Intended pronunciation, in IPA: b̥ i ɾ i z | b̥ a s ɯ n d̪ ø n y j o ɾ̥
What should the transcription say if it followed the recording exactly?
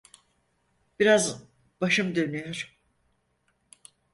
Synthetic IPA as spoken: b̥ i ɾ a z | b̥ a ʃ ɯ m d̪ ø n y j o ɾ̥